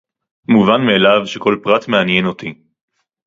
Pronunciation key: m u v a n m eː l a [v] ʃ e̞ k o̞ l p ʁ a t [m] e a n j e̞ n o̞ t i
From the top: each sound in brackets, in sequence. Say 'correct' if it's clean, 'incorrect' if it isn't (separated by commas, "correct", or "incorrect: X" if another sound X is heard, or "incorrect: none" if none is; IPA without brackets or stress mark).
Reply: correct, correct